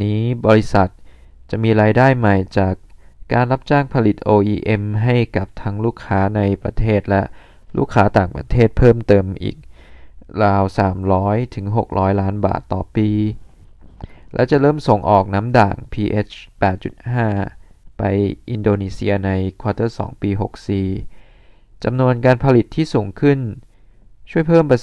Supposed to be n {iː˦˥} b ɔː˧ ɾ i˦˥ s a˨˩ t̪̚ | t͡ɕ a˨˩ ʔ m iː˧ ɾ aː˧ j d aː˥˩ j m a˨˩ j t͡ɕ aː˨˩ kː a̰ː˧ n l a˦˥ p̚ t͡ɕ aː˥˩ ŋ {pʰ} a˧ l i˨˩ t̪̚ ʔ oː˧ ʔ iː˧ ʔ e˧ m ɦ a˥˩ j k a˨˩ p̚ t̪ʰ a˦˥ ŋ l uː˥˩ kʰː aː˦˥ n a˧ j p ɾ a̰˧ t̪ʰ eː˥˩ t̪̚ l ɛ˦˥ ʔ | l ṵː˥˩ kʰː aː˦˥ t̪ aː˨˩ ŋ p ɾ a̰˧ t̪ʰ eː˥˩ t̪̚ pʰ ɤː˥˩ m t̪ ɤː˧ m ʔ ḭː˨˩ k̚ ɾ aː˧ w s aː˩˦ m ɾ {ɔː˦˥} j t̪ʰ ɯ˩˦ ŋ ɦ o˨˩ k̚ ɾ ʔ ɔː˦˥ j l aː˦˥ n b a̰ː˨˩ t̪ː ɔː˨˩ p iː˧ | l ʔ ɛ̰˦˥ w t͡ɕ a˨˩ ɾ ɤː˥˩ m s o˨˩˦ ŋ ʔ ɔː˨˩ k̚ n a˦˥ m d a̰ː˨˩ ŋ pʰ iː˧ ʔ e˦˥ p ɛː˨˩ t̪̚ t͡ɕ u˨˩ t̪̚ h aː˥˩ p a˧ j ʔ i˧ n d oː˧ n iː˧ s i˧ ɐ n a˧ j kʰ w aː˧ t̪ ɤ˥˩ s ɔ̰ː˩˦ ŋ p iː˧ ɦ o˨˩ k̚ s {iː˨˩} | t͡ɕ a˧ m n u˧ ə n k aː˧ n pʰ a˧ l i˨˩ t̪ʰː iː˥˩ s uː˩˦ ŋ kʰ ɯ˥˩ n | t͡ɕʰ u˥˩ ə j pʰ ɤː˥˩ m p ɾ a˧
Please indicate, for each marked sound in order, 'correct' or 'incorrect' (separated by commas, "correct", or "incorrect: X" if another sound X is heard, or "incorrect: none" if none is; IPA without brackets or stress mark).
correct, correct, correct, correct